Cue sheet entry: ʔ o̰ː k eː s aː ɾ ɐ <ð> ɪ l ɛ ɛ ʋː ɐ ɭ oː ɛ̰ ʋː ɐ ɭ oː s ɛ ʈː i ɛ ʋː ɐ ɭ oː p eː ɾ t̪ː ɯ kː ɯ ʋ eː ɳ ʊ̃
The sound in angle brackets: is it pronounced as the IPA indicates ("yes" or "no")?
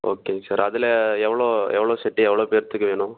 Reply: yes